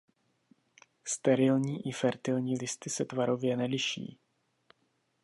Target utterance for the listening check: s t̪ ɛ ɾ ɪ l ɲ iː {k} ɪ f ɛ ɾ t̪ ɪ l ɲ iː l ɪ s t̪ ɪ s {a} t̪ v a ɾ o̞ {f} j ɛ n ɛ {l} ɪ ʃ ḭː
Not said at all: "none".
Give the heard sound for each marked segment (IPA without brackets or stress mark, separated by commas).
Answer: ʔ, ɛ, v, l